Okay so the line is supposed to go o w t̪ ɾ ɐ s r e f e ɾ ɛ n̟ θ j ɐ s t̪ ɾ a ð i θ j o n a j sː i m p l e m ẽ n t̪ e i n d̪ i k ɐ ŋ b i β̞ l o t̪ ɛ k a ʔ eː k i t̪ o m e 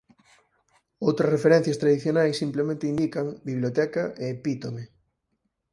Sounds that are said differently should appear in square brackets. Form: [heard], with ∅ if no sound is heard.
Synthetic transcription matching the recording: o w t̪ ɾ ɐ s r e f e ɾ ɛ n̟ θ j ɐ s t̪ ɾ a ð i θ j o n a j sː i m p l e m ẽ n t̪ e i n d̪ i k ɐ ŋ b i β̞ l o t̪ ɛ k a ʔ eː [p] i t̪ o m e